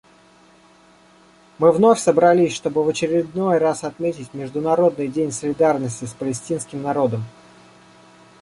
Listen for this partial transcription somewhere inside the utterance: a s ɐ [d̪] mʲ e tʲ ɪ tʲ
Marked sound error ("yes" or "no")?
yes